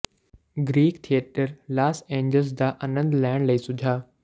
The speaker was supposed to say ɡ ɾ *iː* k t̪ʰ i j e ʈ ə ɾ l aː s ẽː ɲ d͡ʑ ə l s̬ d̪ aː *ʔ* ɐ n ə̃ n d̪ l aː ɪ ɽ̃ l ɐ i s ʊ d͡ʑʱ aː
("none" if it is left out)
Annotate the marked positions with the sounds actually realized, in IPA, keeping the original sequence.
iː, ʔ

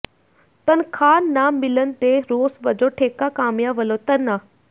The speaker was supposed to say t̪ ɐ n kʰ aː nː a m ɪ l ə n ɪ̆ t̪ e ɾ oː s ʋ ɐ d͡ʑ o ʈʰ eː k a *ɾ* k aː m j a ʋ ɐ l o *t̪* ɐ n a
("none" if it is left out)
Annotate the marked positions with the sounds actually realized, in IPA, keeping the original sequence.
none, t̪

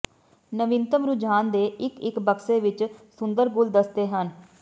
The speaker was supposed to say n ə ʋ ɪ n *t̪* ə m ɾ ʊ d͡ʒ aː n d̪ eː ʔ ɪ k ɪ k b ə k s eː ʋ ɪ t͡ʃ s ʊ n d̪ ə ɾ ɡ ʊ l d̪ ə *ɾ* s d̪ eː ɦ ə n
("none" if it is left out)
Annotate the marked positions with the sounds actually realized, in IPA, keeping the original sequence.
t̪, none

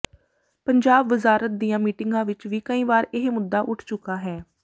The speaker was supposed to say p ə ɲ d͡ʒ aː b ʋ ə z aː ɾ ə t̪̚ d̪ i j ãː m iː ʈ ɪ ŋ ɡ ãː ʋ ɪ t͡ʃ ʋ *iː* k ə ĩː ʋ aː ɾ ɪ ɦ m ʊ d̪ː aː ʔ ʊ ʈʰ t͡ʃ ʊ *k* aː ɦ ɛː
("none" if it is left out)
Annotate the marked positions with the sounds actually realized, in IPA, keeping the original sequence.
iː, k

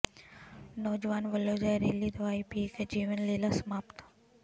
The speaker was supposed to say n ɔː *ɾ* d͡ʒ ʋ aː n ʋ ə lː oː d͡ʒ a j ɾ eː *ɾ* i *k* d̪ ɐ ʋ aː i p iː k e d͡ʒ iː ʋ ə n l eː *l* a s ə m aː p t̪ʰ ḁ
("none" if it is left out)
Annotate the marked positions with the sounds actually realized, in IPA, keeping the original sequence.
none, l, none, l

